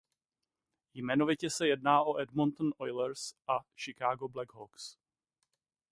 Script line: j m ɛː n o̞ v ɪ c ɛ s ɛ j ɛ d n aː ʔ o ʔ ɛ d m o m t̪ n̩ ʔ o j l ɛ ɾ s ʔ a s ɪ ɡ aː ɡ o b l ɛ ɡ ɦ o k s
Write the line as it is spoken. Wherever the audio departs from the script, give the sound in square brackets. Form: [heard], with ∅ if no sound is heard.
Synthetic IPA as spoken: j m [ɛ] n o̞ v ɪ c ɛ s ɛ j ɛ d n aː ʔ o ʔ ɛ d m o [n] t̪ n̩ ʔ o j l ɛ ɾ s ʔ a [ʃ] ɪ [k] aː ɡ o b l ɛ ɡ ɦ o k s

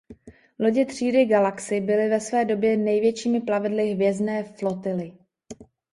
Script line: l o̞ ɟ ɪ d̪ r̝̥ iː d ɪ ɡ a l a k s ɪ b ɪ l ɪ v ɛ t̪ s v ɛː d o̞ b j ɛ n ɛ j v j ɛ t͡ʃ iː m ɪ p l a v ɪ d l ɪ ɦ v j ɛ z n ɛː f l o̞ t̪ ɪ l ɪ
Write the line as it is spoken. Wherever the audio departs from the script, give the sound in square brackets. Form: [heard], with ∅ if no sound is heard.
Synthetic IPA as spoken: l o̞ ɟ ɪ [t̪] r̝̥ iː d ɪ ɡ a l a k s ɪ b ɪ l ɪ v ɛ [∅] s v ɛː d o̞ b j ɛ n ɛ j v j ɛ t͡ʃ iː m ɪ p l a v ɪ d l ɪ ɦ v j ɛ z n ɛː f l o̞ t̪ ɪ l ɪ

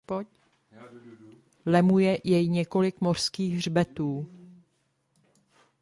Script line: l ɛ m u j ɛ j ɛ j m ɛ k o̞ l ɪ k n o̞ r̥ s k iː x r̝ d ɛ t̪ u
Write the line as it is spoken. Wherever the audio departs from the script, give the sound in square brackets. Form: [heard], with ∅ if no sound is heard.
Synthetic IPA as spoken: l ɛ m u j ɛ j ɛ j [ɲ] ɛ k o̞ l ɪ k [m] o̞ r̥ s k iː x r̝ [b] ɛ t̪ [uː]

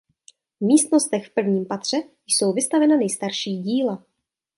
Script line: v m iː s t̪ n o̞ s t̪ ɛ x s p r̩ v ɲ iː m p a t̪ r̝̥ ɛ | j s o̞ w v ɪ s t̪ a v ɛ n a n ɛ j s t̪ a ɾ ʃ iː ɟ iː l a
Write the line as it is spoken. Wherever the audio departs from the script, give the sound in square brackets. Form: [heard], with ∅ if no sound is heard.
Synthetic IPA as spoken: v m iː s t̪ n o̞ s t̪ ɛ x [f] p r̩ v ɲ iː m p a t̪ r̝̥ ɛ | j s o̞ w v ɪ s t̪ a v ɛ n a n ɛ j s t̪ a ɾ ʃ iː ɟ iː l a

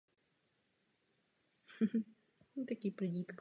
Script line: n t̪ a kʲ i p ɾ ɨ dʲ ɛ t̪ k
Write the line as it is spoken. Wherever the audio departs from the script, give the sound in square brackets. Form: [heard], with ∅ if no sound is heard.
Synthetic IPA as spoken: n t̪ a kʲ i p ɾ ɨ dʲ [i] t̪ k

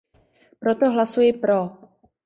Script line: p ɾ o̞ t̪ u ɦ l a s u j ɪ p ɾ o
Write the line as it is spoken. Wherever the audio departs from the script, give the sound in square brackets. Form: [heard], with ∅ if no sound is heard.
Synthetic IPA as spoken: p ɾ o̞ t̪ [o] ɦ l a s u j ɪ p ɾ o

